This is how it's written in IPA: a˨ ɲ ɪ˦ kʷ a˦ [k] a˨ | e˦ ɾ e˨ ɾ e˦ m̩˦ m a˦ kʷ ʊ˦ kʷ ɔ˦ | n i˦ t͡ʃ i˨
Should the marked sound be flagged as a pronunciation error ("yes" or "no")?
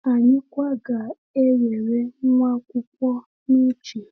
yes